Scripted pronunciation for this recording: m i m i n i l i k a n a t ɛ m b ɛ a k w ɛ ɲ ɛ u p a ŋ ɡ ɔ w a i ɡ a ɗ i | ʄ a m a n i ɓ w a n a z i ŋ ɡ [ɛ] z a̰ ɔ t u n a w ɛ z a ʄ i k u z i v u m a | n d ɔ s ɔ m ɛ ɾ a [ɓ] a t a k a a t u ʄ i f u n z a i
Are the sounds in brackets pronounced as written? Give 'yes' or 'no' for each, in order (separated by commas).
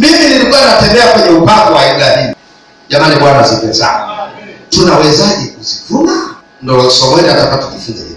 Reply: yes, no